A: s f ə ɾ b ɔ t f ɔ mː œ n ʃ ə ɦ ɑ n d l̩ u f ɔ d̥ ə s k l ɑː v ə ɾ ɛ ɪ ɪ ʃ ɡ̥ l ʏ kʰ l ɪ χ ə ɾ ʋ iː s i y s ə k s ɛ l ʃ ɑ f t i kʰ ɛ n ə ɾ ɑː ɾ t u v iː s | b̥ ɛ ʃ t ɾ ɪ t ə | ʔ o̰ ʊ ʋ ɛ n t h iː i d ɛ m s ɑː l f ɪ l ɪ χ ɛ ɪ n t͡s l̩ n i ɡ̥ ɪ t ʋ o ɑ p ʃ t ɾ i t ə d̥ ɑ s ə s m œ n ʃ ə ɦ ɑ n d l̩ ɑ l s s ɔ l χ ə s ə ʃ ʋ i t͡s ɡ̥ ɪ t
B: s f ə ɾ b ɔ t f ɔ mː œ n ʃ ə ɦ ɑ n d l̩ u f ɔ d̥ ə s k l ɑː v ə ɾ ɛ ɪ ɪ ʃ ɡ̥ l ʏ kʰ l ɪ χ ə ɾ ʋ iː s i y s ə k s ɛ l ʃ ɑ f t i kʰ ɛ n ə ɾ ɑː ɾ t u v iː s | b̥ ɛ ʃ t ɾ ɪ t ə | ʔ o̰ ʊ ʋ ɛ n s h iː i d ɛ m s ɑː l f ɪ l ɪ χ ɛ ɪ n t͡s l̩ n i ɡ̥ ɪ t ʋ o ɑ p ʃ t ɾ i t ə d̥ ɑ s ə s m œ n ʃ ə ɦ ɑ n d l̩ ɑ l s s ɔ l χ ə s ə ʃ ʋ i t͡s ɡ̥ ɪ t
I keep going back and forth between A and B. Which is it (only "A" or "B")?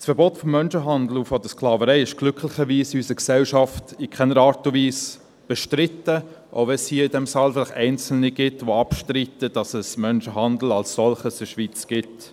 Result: B